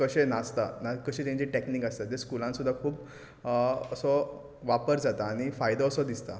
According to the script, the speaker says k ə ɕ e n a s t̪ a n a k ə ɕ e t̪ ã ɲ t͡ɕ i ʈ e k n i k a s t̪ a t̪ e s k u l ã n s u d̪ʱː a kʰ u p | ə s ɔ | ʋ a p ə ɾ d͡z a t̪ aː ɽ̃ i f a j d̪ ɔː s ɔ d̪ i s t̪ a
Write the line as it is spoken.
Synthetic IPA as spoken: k ə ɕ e n a s t̪ a n a k ə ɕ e t̪ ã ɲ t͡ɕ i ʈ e k n i k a s t̪ a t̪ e s k u l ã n s u d̪ʱː a kʰ uː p | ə s ɔ | ʋ a p ə ɾ d͡z a t̪ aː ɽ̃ i f a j d̪ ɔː s ɔ d̪ i s t̪ a